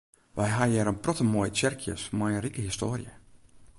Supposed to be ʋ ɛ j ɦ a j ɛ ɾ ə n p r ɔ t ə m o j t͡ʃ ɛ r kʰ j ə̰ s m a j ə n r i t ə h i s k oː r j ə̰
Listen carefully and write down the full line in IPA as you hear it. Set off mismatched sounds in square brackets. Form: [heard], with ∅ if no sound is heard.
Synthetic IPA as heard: ʋ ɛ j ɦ a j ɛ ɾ ə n p r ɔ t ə m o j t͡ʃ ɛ r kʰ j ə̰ s m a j ə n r i [k] ə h i s [t] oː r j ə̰